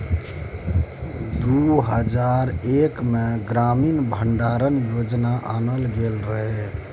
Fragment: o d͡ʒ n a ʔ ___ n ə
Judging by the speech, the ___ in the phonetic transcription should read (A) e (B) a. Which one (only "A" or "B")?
B